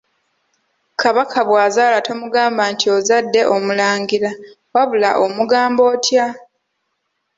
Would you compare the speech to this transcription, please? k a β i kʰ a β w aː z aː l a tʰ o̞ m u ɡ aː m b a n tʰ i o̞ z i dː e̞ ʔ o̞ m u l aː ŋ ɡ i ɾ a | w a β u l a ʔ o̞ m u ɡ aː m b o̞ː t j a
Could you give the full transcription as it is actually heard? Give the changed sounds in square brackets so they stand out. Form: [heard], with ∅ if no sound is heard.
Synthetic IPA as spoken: k a β [a] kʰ a β w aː z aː l a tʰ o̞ m u ɡ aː m b a n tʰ i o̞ z [a] dː e̞ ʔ o̞ m u l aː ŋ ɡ i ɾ a | w a β u l a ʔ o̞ m u ɡ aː m b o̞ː t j a